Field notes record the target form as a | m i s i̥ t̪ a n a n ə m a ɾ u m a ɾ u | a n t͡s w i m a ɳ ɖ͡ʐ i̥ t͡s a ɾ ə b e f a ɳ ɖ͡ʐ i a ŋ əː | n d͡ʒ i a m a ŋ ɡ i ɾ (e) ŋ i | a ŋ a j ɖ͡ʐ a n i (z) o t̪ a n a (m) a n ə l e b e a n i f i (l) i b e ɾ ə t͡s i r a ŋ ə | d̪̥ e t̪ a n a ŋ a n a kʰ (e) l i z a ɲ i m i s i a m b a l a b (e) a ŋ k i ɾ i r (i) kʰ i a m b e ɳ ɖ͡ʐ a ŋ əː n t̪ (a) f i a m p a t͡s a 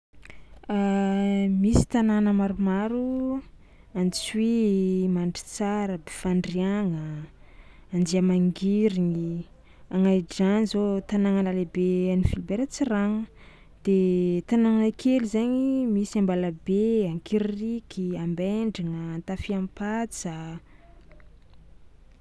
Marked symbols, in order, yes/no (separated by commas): no, yes, no, yes, yes, yes, yes, yes